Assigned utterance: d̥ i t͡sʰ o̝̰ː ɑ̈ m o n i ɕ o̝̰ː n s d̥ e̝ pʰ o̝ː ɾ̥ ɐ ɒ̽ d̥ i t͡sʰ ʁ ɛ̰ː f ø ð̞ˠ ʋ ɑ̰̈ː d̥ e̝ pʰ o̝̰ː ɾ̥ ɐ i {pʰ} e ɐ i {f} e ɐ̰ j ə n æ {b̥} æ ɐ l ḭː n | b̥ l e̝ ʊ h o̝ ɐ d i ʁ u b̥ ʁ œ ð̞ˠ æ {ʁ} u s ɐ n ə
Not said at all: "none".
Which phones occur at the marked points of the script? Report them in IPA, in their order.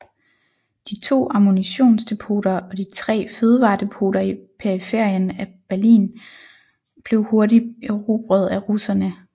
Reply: pʰ, f, b̥, ʁ

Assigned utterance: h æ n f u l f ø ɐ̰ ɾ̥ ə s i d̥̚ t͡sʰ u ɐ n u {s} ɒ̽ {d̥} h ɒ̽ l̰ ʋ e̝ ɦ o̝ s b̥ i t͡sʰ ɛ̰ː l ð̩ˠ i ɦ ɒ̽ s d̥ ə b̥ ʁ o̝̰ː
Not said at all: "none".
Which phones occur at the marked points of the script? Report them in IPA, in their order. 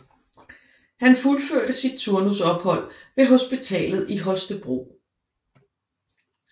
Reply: s, b̥

